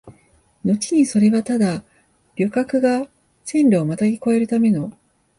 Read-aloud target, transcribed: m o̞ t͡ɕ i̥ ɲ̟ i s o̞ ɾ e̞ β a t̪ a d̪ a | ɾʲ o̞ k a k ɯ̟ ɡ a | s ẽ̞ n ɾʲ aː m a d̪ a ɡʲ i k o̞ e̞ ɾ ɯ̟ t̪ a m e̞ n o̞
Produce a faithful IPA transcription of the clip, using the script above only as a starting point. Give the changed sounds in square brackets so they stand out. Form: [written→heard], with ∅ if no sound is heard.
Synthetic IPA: [m→n] o̞ t͡ɕ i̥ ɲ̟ i s o̞ ɾ e̞ β a t̪ a d̪ a | ɾʲ o̞ k a k ɯ̟ ɡ a | s ẽ̞ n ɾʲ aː m a [d̪→t̪] a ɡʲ i k o̞ e̞ ɾ ɯ̟ t̪ a m e̞ n o̞